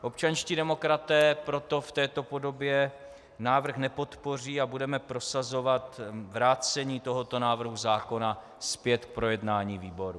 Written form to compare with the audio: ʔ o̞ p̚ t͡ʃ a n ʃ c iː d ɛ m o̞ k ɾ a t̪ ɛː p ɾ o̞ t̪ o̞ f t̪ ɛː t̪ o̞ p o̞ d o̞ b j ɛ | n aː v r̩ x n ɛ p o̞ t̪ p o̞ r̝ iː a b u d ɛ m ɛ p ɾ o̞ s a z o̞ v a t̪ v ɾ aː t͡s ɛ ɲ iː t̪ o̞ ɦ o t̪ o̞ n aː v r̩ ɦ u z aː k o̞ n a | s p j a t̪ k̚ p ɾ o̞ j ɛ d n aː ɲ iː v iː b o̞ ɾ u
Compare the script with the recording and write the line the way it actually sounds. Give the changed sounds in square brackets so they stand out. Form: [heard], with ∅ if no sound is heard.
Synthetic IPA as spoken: ʔ o̞ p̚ t͡ʃ a n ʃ c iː d ɛ m o̞ k ɾ a t̪ ɛː p ɾ o̞ t̪ o̞ f t̪ ɛː t̪ o̞ p o̞ d o̞ b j ɛ | n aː v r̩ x n ɛ p o̞ t̪ p o̞ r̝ iː a b u d ɛ m ɛ p ɾ o̞ s a z o̞ v a t̪ v ɾ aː t͡s ɛ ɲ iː t̪ o̞ ɦ o t̪ o̞ n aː v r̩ ɦ u z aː k o̞ n a | s p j [ɛ] t̪ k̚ p ɾ o̞ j ɛ d n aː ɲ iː v iː b o̞ ɾ u